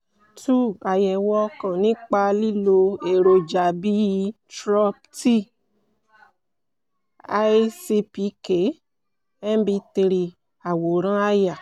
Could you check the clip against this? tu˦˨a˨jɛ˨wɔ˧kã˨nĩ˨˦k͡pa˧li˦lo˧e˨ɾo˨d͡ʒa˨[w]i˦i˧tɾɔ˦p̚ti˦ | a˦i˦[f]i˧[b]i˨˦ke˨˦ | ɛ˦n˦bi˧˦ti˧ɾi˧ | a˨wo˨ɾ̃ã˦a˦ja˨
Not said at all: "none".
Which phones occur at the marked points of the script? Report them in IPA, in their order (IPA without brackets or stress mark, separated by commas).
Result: b, s, p